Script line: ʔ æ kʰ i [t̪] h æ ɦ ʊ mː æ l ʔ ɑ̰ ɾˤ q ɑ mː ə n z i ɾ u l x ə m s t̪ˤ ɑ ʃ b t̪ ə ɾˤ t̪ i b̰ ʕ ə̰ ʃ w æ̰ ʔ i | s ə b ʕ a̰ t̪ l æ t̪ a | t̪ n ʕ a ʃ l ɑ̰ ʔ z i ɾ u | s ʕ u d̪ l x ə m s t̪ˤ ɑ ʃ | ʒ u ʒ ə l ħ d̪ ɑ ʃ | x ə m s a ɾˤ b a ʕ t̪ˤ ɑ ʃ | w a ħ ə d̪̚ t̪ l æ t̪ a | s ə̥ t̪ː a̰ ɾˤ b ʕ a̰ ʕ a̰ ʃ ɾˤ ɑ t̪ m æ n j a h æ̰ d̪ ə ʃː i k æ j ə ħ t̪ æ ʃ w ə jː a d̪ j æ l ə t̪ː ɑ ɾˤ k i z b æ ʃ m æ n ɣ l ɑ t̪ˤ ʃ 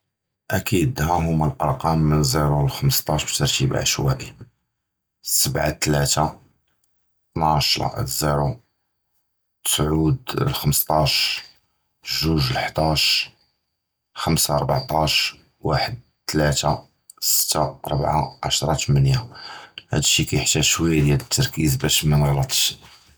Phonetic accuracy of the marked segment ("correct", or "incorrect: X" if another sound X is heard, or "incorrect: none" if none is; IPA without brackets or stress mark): incorrect: d̪